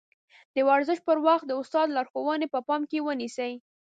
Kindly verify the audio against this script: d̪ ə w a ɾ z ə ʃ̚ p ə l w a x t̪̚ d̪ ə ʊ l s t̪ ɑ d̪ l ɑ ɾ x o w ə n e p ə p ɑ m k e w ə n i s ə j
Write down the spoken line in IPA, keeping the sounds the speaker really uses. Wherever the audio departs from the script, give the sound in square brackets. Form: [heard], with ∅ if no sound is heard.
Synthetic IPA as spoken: d̪ ə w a ɾ z ə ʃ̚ p ə [ɾ] w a x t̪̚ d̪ ə ʊ [∅] s t̪ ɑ d̪ l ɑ ɾ x o w ə n e p ə p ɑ m k e w ə n i s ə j